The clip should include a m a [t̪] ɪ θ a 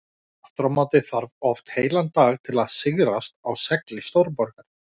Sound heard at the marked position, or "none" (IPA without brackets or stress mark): t̪